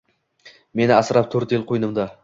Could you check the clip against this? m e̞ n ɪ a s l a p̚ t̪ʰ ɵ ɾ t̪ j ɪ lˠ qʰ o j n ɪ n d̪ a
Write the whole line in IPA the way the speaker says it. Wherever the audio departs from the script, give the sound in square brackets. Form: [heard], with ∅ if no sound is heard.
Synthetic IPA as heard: m e̞ n ɪ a s [ɾ] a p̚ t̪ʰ ɵ ɾ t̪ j ɪ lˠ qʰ o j n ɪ [m] d̪ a